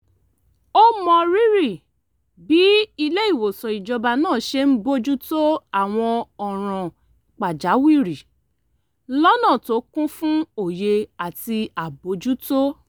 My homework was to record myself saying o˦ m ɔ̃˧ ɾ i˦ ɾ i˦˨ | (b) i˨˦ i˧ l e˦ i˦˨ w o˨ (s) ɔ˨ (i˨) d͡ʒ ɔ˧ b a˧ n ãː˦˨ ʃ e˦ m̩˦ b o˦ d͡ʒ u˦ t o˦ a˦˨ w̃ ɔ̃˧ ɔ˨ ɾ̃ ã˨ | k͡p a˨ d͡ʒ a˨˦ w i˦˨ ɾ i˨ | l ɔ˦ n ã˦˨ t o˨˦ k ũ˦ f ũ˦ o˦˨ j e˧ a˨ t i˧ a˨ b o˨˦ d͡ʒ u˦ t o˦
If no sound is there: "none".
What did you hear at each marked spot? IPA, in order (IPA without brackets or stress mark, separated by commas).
b, s, i˨